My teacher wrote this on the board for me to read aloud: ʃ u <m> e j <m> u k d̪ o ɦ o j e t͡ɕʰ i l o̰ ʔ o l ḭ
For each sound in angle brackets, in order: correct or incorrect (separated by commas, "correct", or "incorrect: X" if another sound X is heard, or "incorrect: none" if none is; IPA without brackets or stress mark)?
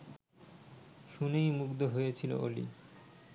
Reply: incorrect: n, correct